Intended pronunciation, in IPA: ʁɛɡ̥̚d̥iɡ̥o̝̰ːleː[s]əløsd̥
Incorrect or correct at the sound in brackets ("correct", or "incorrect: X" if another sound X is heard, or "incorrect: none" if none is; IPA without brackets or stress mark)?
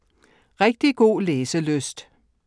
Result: correct